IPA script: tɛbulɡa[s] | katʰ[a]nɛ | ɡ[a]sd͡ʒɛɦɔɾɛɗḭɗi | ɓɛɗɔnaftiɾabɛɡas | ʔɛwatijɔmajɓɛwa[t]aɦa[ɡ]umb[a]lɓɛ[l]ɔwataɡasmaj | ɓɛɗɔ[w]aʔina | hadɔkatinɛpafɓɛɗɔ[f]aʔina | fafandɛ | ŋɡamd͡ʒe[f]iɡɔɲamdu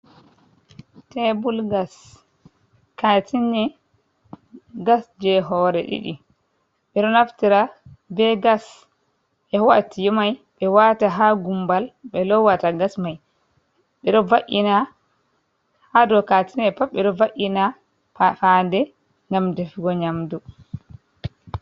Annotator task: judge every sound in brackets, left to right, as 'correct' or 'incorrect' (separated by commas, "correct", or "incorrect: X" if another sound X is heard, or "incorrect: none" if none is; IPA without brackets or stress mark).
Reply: correct, incorrect: i, correct, correct, correct, correct, correct, incorrect: v, incorrect: v, correct